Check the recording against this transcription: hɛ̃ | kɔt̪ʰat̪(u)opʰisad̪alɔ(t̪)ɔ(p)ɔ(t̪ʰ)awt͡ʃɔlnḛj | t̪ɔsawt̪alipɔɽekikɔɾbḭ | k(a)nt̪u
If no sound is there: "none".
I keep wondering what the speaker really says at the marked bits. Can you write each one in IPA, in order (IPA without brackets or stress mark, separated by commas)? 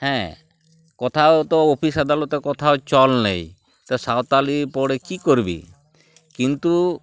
ɔ, t̪, k, t̪ʰ, i